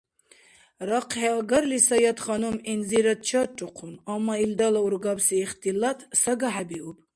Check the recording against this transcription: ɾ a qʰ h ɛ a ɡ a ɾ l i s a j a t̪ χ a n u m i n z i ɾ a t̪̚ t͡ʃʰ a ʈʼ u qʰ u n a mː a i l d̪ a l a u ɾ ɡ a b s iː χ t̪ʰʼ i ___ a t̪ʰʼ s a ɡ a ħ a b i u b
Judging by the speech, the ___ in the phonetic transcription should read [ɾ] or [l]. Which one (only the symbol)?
l